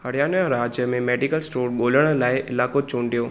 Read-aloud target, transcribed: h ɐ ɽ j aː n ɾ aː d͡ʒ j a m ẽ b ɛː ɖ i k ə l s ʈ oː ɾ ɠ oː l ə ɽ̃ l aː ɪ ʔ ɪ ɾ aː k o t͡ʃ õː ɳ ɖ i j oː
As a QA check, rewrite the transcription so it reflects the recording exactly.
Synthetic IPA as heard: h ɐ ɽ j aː n ɾ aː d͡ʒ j ə m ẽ m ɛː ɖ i k ə l s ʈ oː ɾ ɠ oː l ə ɽ̃ l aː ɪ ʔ ɪ l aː k o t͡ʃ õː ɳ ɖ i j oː

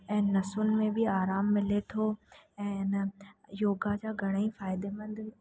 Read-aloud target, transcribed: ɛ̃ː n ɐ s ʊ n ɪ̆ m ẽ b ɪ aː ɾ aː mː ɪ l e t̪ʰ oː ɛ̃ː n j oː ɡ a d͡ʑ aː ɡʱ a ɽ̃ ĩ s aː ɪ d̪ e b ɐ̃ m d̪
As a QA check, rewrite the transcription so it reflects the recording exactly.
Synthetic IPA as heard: ɛ̃ː n ɐ s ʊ n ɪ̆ m ẽ b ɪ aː ɾ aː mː ɪ l e t̪ʰ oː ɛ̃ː n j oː ɡ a d͡ʑ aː ɡʱ ɐ ɽ̃ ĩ f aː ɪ d̪ e m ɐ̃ n d̪

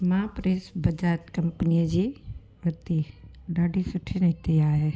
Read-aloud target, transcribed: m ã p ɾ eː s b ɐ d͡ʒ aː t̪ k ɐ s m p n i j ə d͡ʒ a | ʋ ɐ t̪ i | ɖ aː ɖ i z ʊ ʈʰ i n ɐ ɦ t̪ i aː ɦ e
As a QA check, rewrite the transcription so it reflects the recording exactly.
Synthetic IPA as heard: m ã p ɾ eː s b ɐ d͡ʒ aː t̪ k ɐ m p n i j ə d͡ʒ i | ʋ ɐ t̪ i | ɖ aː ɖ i s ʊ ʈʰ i n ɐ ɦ t̪ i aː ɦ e

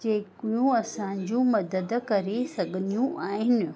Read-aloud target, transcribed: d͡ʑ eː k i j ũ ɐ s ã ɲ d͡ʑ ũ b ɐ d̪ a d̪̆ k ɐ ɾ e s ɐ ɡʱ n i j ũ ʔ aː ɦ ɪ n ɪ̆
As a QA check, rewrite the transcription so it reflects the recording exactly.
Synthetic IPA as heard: d͡ʑ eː k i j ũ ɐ s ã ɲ d͡ʑ ũ m ɐ d̪ ə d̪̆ k ɐ ɾ e s ɐ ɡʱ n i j ũ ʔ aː ɦ ɪ n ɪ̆

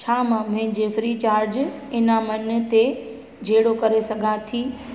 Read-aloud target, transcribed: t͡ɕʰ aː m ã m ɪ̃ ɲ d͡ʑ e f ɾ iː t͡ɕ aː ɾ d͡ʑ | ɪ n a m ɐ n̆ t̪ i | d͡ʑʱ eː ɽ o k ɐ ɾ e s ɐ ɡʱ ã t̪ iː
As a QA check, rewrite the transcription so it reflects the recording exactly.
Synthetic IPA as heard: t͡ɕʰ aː m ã m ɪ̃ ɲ d͡ʑ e f ɾ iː t͡ɕ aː ɾ d͡ʑ | ɪ n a m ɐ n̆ t̪ e | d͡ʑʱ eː ɽ o k ɐ ɾ e s ɐ ɡʱ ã t̪ʰ iː

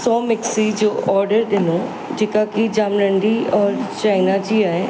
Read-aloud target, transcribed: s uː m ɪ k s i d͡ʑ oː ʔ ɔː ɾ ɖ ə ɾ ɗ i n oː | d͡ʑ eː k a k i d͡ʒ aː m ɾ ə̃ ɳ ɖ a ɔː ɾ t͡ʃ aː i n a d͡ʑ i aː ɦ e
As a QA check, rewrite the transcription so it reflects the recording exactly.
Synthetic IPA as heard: s ɔː m ɪ k s i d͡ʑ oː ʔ ɔː ɾ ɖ ə ɾ ɗ ɪ n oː | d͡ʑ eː k a k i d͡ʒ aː m ɾ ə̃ ɳ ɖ i ɔː ɾ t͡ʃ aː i n a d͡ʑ i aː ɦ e

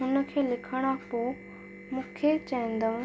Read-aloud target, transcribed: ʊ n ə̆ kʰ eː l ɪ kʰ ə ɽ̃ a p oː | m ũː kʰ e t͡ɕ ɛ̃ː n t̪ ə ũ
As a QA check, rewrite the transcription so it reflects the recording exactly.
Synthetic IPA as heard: ʊ n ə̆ kʰ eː l ɪ kʰ ə ɽ̃ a p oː | m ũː kʰ e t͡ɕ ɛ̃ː n d̪ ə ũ

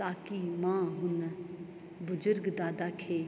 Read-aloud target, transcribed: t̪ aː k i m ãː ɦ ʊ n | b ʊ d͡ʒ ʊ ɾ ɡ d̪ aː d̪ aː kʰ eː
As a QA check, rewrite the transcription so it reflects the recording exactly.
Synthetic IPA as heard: t̪ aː k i m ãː ɦ ʊ n | b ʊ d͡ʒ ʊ ɾ ɡ d̪ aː d̪ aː kʰ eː

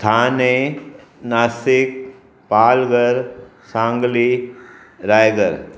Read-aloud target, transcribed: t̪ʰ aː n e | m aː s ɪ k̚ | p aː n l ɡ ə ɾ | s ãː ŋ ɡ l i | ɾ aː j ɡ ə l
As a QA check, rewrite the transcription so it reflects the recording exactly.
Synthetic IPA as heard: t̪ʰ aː n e | n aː s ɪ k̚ | p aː l ɡ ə ɾ | s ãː ŋ ɡ l i | ɾ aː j ɡ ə ɾ

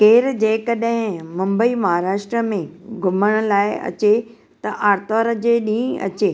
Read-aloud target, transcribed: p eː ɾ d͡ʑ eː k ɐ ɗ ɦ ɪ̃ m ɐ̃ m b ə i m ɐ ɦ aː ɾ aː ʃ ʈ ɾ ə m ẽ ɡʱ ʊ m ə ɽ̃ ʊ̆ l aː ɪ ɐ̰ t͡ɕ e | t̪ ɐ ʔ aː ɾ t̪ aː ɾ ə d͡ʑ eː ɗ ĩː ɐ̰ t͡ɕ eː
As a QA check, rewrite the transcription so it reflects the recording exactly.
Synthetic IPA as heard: k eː ɾ d͡ʑ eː k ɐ ɗ ɦ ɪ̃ m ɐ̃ m b ə i m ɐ ɦ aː ɾ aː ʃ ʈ ɾ ə m ẽ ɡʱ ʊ m ə ɽ̃ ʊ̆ l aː ɪ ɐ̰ t͡ɕ e | t̪ ɐ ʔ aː ɾ t̪ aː ɾ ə d͡ʑ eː ɗ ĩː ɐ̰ t͡ɕ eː

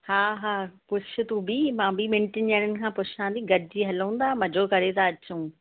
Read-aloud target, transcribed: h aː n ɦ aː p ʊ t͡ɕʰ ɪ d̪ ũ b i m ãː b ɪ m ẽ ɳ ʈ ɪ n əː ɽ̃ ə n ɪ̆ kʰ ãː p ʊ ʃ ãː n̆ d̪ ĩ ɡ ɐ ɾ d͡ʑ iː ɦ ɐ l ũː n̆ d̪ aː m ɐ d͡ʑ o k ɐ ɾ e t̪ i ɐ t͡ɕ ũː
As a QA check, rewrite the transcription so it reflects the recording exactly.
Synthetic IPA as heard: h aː ɦ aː p ʊ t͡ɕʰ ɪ t̪ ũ b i m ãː b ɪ m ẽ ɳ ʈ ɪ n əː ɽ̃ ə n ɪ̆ kʰ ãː p ʊ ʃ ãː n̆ d̪ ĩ ɡ ɐ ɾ d͡ʑ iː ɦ ɐ l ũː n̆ d̪ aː m ɐ d͡ʑ o k ɐ ɾ e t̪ a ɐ t͡ɕ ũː

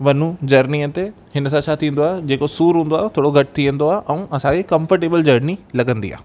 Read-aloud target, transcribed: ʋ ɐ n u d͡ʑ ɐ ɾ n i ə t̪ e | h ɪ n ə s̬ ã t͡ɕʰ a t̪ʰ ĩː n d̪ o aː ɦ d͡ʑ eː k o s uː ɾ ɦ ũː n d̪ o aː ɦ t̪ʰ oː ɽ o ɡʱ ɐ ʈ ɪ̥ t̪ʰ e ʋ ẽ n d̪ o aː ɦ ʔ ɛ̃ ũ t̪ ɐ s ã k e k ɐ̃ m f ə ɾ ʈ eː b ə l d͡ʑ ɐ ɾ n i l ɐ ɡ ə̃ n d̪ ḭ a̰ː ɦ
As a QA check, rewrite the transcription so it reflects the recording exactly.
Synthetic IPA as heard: ʋ ɐ n u d͡ʑ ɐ ɾ n i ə t̪ e | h ɪ n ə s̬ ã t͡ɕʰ a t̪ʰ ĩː n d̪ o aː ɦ d͡ʑ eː k o s uː ɾ ɦ ũː n d̪ o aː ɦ t̪ʰ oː ɽ o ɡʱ ɐ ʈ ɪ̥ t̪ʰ i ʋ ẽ n d̪ o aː ɦ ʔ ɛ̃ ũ ɐ s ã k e k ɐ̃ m f ə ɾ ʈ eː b ə l d͡ʑ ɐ ɾ n i l ɐ ɡ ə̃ n d̪ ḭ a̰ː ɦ

